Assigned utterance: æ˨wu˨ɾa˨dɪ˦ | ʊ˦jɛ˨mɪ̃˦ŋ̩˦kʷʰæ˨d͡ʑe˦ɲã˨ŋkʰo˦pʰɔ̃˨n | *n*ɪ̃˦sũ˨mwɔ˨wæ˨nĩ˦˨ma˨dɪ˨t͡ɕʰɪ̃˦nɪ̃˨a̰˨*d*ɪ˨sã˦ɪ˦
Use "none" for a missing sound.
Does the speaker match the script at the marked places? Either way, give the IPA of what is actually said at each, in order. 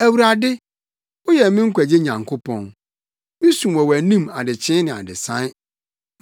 m, d

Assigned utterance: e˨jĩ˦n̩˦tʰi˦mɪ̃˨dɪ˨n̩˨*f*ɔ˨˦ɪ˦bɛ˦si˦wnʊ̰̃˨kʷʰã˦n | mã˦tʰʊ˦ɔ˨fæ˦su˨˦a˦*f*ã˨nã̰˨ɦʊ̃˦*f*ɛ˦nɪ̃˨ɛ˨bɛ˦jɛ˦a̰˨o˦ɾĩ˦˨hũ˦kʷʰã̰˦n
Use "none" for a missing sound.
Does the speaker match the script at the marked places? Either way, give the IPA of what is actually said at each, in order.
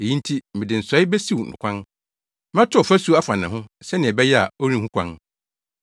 s, f, s

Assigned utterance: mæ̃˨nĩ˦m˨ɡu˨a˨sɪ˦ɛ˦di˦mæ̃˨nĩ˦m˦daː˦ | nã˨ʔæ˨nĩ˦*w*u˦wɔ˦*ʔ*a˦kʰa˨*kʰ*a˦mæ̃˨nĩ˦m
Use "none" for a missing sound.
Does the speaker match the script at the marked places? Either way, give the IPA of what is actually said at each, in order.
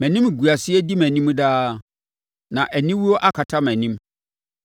w, ʔ, tʰ

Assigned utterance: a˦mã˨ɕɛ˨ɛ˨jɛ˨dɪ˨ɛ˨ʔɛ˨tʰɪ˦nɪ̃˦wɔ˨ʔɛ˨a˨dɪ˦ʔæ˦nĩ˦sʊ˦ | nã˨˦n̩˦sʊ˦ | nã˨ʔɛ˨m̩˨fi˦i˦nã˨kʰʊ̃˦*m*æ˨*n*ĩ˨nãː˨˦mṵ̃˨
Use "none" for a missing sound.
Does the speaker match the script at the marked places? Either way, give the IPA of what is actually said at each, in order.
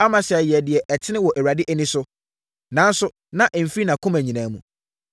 m, ɲ

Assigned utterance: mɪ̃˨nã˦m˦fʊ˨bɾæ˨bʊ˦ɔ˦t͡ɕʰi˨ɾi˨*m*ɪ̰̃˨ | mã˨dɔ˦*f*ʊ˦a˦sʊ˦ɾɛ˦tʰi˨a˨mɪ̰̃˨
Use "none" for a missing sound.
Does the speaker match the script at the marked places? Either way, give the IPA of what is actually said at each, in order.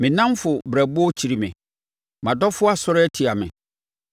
m, f

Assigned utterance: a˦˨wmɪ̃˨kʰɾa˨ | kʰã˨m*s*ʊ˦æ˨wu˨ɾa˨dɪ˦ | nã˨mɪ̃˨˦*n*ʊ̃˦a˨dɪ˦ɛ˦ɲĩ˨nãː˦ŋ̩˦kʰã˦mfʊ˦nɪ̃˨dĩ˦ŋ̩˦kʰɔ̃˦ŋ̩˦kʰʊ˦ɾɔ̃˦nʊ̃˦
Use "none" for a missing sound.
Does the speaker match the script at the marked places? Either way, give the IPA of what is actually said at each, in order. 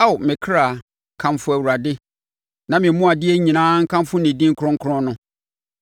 f, m

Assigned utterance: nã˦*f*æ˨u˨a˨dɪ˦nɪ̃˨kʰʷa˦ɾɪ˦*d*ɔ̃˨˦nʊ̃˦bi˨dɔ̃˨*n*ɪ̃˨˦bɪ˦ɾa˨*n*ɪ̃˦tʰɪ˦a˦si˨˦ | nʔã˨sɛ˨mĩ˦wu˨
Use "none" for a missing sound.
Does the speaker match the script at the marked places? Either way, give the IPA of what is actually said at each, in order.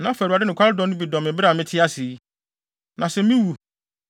f, d, m, m

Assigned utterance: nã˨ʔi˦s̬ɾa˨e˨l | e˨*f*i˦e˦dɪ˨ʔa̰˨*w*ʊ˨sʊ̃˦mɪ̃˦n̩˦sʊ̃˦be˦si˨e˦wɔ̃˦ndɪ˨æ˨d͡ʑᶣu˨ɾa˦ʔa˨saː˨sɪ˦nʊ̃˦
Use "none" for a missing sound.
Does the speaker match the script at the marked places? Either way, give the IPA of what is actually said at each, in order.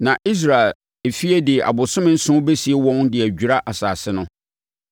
f, b

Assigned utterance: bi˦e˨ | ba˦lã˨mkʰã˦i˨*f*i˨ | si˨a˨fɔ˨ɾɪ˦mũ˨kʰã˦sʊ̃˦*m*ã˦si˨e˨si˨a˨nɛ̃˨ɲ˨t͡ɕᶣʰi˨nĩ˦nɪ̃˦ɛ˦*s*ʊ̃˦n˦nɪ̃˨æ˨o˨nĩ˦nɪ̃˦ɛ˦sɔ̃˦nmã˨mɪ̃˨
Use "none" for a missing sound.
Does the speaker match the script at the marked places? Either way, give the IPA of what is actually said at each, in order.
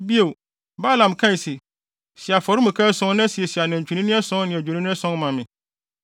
s, n, s

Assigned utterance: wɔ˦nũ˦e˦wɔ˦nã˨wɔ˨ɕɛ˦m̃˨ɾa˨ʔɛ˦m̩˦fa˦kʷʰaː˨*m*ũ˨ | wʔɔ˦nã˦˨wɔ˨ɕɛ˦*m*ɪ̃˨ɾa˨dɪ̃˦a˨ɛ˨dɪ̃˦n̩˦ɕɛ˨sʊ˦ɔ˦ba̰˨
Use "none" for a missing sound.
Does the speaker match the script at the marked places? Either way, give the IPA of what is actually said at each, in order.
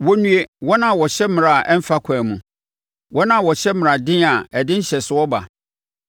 m, m

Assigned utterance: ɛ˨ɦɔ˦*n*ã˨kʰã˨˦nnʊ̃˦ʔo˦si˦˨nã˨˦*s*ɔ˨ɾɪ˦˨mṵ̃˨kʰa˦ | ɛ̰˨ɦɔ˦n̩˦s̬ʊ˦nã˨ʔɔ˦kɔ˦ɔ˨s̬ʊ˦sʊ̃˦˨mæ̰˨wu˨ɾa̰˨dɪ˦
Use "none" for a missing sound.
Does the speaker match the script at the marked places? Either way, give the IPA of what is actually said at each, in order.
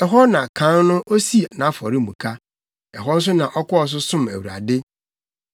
n, f

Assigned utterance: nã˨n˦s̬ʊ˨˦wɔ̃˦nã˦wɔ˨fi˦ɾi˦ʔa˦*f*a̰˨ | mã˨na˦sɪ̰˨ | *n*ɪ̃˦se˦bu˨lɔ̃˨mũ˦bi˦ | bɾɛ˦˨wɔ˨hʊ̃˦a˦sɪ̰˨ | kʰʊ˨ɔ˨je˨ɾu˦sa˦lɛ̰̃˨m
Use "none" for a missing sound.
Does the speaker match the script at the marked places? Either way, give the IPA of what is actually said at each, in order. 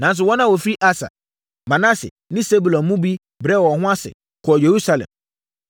s, n

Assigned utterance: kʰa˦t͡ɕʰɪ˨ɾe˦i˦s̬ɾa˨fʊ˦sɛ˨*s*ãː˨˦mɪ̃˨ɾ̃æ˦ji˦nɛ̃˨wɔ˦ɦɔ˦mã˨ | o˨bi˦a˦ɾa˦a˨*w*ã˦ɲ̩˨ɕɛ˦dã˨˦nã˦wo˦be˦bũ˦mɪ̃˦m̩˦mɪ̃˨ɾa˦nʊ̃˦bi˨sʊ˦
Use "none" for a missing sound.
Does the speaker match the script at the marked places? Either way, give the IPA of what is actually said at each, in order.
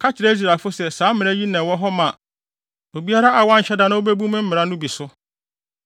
s, w

